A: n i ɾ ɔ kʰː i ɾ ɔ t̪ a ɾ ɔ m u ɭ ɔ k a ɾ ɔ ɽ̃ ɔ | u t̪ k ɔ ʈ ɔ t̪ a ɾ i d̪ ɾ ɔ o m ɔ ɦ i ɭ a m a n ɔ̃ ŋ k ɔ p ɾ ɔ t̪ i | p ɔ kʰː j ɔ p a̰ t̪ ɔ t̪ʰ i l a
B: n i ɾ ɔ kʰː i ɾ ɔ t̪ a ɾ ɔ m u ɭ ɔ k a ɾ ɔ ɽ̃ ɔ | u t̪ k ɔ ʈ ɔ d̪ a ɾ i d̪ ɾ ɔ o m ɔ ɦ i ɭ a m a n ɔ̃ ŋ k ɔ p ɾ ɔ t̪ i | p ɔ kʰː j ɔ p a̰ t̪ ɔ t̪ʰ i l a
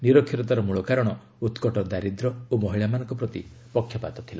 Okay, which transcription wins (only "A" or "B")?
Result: B